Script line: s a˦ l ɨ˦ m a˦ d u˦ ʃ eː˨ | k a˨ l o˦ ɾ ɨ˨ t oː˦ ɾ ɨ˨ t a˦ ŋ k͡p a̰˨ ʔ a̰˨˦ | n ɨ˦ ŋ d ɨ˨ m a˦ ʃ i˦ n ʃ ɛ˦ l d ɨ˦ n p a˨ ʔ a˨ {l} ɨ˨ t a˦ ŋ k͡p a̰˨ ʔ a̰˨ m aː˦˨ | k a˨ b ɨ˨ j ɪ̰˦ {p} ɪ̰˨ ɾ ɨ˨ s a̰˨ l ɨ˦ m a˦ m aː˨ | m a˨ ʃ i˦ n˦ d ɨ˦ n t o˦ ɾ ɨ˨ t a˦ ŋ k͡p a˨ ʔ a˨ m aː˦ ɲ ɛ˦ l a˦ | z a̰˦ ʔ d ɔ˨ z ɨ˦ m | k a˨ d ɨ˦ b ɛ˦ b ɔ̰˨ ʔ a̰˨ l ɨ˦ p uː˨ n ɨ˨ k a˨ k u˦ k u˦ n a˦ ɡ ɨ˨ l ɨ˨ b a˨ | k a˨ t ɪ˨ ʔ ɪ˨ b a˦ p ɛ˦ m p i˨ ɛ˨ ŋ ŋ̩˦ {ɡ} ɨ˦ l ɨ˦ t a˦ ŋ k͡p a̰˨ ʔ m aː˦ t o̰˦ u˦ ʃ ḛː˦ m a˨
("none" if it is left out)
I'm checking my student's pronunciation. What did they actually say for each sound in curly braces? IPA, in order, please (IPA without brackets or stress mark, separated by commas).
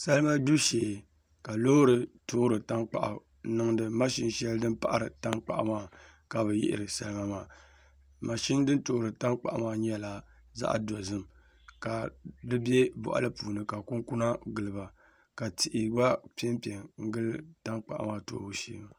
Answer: ɾ, ʔ, ɡ